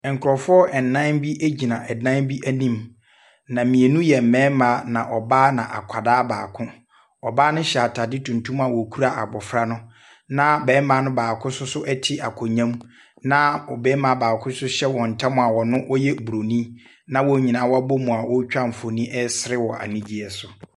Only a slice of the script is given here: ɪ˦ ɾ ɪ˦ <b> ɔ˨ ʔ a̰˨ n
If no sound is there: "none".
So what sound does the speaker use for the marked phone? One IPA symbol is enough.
w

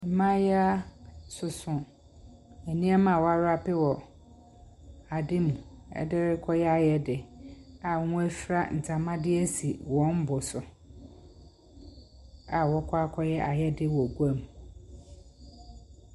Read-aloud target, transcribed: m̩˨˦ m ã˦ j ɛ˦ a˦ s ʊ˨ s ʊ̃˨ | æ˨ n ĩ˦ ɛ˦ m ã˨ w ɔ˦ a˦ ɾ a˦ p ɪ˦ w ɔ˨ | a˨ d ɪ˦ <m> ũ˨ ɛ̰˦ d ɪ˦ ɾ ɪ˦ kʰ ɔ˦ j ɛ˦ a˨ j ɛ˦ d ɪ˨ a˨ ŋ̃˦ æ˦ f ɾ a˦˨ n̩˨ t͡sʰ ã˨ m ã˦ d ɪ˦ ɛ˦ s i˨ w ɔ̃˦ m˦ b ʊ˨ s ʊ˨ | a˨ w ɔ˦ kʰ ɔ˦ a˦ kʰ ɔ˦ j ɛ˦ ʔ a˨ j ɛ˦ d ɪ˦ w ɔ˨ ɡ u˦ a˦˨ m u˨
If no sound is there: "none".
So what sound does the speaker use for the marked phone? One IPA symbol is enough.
m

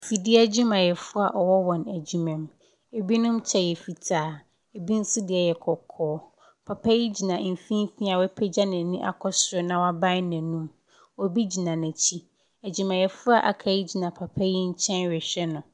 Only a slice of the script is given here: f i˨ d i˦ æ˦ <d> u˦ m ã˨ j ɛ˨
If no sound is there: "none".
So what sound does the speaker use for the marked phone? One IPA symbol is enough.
d͡ʑ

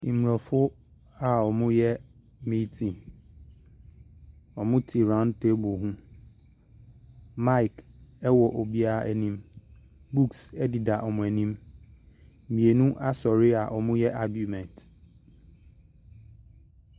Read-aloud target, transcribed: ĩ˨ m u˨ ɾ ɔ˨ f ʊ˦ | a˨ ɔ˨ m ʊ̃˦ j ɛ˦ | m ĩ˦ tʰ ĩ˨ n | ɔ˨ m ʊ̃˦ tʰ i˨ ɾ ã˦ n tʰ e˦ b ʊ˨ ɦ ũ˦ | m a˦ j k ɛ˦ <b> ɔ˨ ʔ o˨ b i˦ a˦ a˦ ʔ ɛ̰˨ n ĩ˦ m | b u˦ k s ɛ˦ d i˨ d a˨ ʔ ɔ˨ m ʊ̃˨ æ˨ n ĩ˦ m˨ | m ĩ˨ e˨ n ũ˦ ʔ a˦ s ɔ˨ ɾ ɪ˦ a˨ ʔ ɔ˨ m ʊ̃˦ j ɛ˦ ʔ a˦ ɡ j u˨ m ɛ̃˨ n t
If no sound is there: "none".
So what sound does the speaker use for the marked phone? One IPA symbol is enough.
w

